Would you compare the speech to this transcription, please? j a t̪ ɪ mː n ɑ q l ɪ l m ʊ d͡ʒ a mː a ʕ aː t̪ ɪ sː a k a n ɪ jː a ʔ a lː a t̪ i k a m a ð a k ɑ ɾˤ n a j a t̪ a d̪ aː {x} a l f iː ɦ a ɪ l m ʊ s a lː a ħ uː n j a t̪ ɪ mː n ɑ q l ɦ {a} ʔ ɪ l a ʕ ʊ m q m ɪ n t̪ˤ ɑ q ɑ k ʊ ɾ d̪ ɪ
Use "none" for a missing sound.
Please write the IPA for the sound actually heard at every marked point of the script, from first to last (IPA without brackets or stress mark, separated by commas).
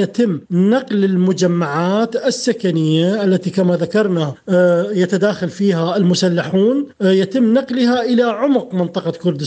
x, a